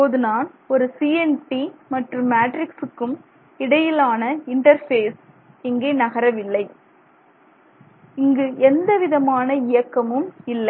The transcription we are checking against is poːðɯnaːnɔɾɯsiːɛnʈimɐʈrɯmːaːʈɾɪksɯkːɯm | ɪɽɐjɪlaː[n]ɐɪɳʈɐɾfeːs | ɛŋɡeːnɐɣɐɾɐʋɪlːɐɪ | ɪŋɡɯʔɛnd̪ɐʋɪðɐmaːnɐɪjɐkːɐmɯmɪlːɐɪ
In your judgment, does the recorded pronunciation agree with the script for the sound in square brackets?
yes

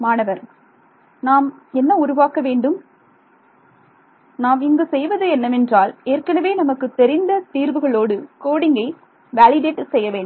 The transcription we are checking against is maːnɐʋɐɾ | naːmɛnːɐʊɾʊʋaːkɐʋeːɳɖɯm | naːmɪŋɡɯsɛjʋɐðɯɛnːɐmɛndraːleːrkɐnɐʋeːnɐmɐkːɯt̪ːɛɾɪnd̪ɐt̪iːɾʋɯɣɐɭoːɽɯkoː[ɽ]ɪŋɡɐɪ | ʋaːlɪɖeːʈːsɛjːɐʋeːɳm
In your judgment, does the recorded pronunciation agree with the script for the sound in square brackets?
yes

